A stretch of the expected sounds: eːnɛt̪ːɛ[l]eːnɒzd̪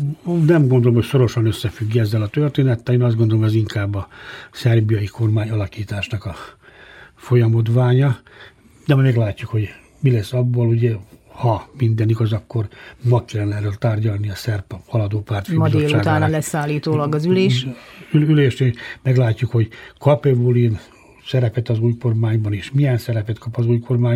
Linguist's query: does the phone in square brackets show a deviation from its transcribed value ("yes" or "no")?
no